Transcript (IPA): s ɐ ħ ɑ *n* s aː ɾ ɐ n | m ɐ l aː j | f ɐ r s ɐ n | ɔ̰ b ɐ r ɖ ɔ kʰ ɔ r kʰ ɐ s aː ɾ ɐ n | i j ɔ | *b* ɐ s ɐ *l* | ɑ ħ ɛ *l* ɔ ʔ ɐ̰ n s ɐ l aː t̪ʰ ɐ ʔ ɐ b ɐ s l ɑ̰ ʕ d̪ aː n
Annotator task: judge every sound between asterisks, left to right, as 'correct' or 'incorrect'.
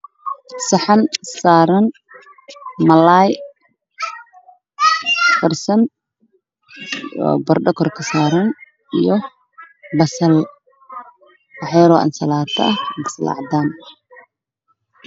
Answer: correct, correct, correct, incorrect: ɾ

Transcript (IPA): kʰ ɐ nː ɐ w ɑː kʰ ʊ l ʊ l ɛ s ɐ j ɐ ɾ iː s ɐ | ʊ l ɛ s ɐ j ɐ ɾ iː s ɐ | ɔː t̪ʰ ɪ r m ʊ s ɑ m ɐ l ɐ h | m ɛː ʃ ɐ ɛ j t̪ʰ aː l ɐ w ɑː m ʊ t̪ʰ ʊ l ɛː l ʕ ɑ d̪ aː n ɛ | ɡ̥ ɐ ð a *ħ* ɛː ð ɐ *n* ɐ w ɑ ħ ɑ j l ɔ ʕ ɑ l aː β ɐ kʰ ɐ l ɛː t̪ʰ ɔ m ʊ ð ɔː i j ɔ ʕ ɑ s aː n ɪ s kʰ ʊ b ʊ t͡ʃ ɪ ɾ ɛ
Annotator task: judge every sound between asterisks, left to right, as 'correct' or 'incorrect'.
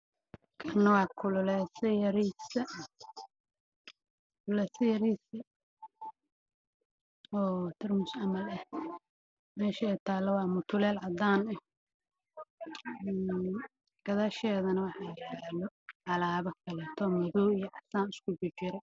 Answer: incorrect: ʃ, correct

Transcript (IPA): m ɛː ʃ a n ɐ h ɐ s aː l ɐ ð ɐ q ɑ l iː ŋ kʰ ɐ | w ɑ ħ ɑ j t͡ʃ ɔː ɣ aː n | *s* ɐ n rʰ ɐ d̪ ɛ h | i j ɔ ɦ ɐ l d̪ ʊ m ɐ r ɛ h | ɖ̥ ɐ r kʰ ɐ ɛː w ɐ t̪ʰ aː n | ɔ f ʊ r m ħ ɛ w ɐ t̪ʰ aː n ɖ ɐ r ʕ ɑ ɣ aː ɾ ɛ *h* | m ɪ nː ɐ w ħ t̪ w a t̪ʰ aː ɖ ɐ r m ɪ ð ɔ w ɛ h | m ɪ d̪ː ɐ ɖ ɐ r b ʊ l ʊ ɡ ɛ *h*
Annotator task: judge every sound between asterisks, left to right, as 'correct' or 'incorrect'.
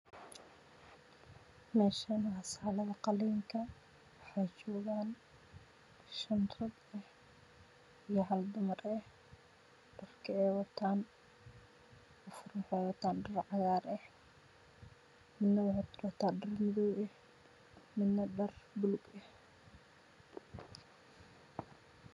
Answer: incorrect: ʃ, correct, correct

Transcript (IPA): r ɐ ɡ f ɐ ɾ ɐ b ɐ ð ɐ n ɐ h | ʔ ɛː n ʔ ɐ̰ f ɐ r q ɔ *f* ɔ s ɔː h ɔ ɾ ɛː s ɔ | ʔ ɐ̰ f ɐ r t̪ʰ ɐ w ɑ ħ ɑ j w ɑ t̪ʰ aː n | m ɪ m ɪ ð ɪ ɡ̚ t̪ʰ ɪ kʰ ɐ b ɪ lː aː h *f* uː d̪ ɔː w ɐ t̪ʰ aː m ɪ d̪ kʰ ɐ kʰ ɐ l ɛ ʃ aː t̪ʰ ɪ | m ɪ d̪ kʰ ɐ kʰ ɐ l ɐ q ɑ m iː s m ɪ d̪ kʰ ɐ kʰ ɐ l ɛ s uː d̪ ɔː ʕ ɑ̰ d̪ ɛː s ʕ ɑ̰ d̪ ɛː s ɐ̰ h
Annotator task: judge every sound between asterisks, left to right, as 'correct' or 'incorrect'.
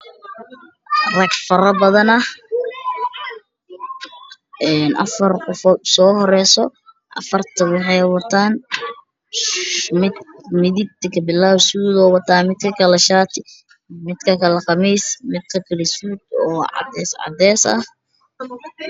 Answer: correct, incorrect: s

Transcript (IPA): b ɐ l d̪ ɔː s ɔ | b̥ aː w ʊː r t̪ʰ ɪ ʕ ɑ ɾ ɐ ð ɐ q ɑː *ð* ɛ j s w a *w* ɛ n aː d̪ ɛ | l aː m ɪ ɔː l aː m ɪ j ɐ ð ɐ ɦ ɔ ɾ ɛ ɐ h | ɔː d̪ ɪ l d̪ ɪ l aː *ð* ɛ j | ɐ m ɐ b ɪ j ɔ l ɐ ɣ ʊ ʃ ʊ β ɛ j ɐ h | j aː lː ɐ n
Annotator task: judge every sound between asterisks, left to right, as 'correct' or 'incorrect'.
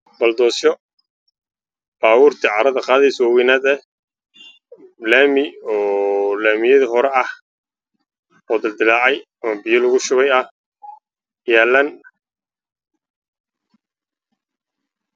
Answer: correct, correct, incorrect: ʕ

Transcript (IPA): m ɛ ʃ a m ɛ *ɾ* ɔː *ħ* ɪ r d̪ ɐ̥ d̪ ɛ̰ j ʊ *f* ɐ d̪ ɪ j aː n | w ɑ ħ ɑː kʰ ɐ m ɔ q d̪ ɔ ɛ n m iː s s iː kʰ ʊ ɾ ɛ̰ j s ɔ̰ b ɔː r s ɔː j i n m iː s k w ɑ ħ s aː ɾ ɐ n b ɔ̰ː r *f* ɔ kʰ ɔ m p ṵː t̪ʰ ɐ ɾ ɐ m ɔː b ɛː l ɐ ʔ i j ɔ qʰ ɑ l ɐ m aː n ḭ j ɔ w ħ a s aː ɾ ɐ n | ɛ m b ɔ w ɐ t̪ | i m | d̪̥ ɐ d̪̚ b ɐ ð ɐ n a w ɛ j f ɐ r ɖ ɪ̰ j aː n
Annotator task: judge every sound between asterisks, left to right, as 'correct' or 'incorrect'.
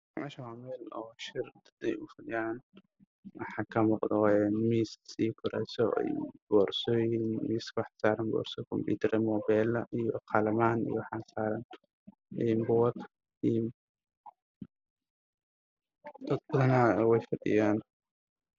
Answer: incorrect: l, incorrect: ʃ, correct, incorrect: s

